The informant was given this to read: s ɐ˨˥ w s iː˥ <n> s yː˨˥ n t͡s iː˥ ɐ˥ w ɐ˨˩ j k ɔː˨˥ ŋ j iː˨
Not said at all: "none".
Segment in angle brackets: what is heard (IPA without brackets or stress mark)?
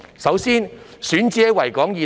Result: n